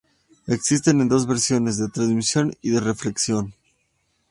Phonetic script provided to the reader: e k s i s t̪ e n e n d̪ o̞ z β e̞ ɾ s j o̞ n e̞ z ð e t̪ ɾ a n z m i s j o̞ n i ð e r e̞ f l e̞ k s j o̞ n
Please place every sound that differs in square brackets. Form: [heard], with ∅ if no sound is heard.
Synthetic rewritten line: e k s i s t̪ e n e n d̪ o̞ z β e̞ ɾ s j o̞ n e̞ z ð e t̪ ɾ a n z m i s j o̞ n i ð e r e̞ f l e̞ k s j o̞ n